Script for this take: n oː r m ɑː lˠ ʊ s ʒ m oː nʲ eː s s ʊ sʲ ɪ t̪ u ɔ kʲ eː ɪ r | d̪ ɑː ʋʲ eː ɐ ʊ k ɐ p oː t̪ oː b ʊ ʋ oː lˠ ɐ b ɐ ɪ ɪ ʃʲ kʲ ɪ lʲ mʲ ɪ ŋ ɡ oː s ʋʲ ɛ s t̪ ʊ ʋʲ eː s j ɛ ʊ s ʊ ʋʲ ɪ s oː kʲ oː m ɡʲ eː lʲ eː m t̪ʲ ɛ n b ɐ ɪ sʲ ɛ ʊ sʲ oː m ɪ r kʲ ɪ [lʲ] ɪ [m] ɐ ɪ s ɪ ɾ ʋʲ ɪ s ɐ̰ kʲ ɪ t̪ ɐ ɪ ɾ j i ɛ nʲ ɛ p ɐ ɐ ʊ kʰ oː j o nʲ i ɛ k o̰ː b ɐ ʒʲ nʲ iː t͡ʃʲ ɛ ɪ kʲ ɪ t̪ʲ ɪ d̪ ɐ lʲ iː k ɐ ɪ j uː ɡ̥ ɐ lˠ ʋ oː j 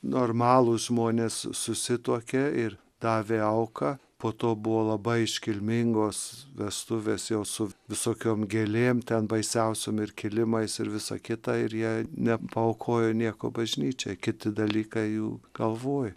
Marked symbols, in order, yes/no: yes, yes

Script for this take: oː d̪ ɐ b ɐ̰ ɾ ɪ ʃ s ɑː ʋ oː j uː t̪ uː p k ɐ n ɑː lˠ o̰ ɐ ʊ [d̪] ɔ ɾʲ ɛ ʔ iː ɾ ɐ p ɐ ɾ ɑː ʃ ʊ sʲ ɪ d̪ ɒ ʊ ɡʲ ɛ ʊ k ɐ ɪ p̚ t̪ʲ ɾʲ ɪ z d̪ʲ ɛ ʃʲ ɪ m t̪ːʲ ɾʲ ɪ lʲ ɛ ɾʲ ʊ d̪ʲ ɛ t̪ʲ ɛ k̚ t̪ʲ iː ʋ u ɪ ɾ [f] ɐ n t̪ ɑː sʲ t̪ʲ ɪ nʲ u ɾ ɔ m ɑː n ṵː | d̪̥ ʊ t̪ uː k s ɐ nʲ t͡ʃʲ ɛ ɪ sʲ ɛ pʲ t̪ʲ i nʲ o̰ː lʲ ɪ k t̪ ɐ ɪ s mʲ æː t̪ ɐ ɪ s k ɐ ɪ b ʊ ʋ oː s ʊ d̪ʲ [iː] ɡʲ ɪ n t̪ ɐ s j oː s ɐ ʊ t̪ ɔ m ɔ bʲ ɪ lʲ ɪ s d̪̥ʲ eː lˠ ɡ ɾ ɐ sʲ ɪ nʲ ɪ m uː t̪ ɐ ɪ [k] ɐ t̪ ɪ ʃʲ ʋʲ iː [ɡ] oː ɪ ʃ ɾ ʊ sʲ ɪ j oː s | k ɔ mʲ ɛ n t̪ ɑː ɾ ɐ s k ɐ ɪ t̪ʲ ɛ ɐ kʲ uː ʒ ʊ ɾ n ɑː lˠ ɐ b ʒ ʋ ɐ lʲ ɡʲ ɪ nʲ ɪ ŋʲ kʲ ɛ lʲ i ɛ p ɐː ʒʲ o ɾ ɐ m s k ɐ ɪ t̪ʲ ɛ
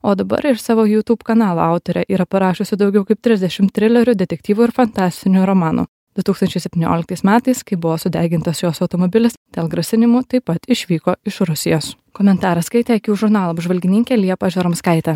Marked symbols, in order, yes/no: no, yes, no, no, no

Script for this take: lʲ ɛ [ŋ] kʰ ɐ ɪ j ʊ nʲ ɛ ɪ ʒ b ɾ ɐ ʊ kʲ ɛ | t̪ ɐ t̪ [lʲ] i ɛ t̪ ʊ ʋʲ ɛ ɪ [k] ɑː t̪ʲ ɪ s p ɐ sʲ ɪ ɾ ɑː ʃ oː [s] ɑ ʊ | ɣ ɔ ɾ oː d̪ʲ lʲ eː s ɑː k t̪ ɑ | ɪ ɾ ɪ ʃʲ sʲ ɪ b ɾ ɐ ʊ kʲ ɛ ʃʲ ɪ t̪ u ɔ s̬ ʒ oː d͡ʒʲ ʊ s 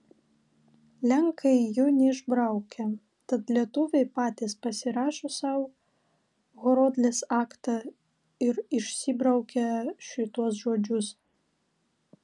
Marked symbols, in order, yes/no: yes, yes, no, yes

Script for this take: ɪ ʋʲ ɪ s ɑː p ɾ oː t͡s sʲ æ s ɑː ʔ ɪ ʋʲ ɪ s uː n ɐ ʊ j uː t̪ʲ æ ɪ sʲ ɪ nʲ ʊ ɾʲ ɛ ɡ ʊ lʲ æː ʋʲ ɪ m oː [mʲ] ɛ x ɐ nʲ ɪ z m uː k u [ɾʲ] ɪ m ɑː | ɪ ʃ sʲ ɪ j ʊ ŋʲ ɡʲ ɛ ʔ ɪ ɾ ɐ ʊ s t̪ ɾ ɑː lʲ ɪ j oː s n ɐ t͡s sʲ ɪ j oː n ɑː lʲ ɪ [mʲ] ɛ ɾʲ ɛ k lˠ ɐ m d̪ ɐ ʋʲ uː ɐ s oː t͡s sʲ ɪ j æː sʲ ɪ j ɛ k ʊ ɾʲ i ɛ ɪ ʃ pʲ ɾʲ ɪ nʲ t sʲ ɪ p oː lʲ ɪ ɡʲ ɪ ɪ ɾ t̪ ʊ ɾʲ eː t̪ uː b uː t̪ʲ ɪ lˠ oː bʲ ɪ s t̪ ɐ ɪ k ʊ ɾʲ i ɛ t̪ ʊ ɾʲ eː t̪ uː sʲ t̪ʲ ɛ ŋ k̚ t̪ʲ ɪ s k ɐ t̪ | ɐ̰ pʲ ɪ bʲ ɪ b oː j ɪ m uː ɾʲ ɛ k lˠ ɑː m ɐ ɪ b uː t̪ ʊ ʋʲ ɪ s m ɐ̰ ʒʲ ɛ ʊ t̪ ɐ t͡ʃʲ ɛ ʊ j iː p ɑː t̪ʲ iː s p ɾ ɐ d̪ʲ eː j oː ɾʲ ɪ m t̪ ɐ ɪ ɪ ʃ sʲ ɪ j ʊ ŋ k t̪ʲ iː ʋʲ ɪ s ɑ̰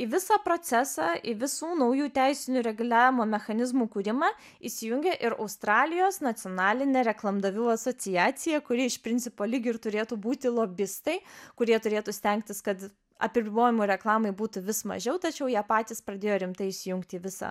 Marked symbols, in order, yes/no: yes, yes, no

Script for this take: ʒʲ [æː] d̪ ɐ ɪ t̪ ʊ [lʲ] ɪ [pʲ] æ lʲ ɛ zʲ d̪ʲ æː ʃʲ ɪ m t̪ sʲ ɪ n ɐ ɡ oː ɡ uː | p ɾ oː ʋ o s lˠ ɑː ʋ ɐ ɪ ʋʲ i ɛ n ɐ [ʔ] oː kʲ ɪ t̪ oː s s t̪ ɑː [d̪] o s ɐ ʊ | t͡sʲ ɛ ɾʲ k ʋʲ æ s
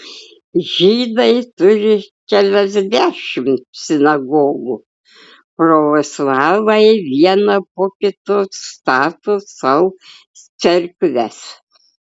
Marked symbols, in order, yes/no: no, no, no, no, no

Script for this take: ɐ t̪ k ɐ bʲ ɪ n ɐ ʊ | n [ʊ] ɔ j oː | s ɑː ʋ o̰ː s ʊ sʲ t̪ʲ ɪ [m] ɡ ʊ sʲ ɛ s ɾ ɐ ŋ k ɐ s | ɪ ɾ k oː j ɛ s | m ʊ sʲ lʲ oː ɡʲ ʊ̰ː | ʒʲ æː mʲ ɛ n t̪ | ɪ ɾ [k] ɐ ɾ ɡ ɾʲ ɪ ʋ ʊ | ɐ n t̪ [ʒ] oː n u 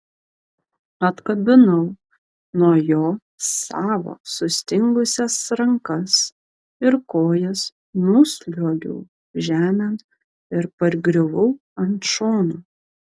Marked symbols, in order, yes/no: no, no, no, no

